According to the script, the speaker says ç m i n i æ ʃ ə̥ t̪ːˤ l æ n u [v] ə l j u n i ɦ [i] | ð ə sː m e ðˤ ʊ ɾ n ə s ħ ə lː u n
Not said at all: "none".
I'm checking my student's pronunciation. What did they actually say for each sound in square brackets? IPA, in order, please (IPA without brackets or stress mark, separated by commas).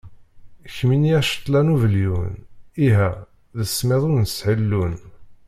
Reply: v, æ